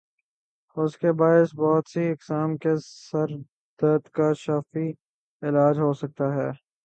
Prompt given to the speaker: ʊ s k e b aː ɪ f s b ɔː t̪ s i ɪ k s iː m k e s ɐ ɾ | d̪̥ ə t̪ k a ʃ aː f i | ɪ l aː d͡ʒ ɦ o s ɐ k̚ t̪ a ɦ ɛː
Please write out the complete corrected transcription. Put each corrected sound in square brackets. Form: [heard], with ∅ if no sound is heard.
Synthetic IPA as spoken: ʊ s k e b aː ɪ [∅] s b ɔː t̪ s i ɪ k s [aː] m k e s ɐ ɾ | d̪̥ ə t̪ k a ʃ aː f i | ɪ l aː d͡ʒ ɦ o s ɐ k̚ t̪ a ɦ ɛː